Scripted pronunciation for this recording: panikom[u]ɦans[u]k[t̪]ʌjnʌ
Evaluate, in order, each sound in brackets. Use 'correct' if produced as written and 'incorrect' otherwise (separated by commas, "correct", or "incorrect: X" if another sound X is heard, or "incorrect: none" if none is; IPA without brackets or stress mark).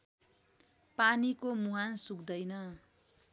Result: correct, correct, incorrect: d̪